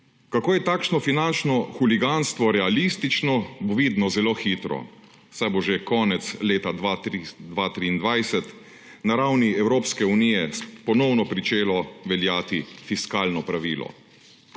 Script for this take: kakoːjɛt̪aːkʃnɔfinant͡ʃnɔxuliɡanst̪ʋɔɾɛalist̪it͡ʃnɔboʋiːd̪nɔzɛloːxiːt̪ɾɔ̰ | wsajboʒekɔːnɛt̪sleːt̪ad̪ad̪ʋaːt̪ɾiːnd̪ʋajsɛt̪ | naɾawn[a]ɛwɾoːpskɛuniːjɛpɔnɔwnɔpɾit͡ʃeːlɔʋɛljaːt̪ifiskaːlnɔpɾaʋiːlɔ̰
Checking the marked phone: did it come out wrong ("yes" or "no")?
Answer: yes